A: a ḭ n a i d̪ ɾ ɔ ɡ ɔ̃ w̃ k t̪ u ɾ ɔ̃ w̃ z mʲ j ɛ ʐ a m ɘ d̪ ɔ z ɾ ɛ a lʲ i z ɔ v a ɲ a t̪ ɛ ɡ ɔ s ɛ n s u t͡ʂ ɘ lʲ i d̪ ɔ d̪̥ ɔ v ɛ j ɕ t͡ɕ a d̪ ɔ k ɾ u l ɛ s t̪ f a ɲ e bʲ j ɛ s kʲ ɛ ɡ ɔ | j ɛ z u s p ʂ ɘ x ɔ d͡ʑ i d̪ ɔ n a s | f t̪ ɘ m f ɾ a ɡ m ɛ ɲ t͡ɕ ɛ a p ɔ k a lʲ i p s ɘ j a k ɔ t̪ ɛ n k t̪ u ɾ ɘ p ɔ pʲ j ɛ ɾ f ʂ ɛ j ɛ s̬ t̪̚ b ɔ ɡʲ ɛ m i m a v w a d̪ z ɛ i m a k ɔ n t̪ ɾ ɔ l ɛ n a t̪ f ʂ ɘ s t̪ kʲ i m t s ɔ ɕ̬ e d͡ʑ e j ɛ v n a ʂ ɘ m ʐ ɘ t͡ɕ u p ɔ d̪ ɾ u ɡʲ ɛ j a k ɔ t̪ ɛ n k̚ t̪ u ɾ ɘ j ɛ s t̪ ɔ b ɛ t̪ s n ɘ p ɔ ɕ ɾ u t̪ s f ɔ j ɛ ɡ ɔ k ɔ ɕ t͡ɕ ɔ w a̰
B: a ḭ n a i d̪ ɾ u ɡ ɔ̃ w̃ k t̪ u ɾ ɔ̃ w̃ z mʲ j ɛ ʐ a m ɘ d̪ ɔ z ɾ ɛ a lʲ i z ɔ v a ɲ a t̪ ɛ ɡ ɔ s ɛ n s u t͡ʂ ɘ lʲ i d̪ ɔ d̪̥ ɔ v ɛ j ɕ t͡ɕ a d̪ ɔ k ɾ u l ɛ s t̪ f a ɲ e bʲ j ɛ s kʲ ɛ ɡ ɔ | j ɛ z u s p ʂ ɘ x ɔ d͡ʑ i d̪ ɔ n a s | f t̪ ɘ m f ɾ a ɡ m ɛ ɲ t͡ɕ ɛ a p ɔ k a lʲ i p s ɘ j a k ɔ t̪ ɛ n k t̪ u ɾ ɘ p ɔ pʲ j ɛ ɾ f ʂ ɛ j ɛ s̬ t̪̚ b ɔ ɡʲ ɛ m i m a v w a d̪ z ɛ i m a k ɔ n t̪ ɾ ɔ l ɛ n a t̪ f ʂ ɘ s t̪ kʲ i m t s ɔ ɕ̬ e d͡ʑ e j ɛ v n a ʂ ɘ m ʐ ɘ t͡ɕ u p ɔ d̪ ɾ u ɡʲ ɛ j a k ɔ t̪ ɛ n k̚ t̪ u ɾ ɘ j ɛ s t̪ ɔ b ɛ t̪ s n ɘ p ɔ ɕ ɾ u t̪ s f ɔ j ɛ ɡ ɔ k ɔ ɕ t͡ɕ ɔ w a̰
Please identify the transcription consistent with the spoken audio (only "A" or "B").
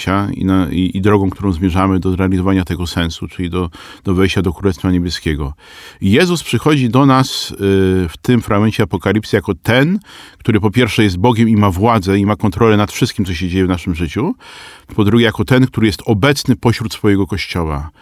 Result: A